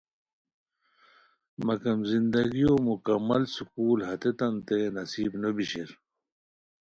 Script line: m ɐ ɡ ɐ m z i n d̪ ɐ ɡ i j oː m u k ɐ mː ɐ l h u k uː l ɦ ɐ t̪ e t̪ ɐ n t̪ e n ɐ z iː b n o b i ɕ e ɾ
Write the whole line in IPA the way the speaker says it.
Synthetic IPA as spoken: m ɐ k ɐ m z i n d̪ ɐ ɡ i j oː m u k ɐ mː ɐ l s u k uː l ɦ ɐ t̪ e t̪ ɐ n t̪ e n ɐ s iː b n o b i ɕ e ɾ